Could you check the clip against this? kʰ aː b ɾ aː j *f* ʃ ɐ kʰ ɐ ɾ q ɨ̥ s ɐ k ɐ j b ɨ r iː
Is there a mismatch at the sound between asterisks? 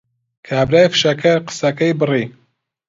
no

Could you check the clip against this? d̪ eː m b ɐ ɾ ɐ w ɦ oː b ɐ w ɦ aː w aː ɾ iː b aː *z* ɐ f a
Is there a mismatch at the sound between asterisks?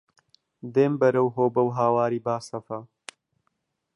yes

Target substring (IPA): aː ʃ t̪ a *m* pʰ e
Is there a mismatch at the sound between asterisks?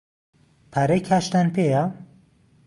yes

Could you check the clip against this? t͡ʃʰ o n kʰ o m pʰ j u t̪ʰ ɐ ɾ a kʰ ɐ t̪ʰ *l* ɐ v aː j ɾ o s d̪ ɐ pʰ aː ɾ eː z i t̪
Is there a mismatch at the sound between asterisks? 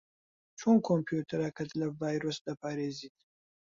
no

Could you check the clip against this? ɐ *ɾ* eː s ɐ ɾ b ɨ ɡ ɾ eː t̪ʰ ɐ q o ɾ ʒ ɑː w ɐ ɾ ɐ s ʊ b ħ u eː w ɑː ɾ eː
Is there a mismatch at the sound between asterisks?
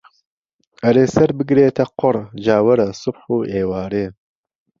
no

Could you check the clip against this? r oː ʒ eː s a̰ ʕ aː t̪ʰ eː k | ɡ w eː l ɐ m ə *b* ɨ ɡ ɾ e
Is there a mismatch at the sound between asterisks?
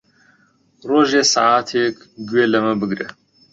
no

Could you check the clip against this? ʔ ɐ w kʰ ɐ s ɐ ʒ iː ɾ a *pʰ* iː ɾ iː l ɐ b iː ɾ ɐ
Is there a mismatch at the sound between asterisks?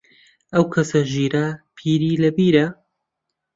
no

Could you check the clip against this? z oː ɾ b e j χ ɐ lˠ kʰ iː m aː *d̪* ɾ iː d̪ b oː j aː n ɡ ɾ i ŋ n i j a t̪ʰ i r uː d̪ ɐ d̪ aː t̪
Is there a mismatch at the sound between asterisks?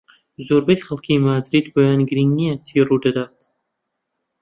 no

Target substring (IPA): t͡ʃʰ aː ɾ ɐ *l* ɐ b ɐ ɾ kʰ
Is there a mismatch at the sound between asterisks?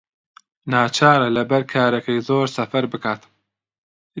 no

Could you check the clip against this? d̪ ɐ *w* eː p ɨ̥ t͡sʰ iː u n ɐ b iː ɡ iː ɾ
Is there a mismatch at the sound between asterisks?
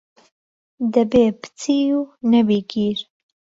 yes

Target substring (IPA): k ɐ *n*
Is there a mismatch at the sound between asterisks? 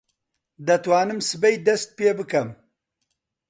yes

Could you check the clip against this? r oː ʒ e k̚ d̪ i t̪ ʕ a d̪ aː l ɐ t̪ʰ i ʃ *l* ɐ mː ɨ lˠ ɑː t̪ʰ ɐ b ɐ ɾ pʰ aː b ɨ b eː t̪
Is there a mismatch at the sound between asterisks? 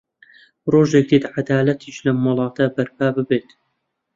no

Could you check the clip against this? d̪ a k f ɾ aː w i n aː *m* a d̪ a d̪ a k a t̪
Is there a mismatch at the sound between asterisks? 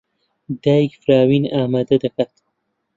no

